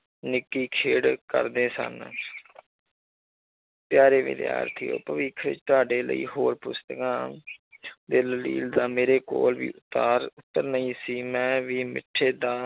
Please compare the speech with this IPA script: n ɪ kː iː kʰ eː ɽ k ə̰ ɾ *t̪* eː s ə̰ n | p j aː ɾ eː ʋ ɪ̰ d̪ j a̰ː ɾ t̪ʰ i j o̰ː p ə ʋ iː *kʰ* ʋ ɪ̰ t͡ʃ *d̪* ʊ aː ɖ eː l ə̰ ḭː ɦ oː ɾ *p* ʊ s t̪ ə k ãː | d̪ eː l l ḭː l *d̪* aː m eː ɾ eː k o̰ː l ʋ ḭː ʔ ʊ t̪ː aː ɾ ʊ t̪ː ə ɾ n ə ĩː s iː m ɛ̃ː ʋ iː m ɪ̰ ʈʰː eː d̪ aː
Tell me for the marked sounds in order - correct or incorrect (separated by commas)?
incorrect, correct, incorrect, correct, correct